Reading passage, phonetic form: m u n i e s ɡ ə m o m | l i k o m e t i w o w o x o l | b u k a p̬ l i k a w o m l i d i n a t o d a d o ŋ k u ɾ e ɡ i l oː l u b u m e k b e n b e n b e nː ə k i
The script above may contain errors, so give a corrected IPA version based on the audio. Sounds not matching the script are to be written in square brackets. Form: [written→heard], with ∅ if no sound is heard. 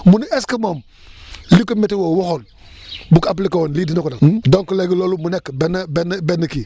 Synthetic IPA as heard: m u n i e s [ɡ→k] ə m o m | l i k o m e t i w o w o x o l | b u k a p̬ l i k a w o [m→n] l i d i n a [t→k] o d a d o ŋ k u [ɾ→l] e ɡ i l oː l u [b→m] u [m→n] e k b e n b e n b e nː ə k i